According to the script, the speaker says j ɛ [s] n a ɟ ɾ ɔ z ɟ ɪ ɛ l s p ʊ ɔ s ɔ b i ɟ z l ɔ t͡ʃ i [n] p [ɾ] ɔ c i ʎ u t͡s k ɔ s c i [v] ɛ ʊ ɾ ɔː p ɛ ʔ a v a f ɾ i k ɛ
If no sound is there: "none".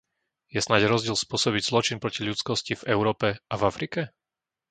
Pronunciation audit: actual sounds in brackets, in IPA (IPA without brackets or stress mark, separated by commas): s, n, ɾ, v